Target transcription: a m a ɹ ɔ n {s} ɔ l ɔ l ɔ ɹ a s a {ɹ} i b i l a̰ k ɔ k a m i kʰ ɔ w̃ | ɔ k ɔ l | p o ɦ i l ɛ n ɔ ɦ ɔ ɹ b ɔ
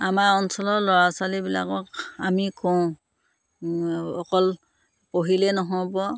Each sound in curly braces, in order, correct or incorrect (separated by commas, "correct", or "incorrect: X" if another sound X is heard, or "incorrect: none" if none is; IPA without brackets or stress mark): correct, incorrect: l